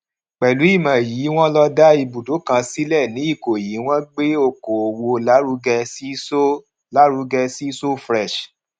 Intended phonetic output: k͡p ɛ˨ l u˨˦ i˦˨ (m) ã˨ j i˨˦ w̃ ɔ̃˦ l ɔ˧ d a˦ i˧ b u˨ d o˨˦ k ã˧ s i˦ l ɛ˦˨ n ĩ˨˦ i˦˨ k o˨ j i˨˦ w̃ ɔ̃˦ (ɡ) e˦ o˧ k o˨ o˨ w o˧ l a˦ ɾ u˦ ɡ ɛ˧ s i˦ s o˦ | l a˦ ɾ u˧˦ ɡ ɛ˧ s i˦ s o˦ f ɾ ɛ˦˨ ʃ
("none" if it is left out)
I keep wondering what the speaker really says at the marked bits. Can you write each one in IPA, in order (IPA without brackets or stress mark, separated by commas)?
m, ɡ͡b